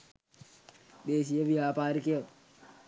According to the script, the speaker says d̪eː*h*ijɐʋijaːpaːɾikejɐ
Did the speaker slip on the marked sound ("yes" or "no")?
yes